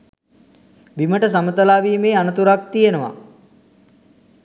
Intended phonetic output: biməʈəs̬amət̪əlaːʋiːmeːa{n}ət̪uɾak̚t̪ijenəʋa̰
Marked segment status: correct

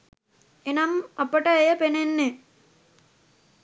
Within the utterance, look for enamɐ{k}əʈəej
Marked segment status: incorrect: p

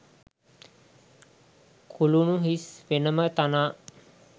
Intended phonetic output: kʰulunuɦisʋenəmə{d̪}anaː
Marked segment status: incorrect: t̪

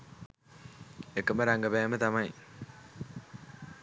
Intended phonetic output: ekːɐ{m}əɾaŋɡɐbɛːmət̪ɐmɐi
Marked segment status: correct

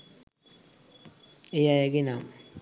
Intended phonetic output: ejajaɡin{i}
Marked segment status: incorrect: a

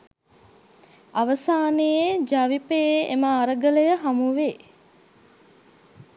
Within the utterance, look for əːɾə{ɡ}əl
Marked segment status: correct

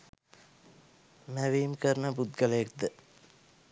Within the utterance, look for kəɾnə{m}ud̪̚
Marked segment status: incorrect: b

